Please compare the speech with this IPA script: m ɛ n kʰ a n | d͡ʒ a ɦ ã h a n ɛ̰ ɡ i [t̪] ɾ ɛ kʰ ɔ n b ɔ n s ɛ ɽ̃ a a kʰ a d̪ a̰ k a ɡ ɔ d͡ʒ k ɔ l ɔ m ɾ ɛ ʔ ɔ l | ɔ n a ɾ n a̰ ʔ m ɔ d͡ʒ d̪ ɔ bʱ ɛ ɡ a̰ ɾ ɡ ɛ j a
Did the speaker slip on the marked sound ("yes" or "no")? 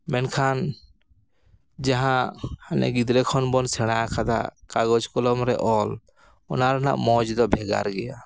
yes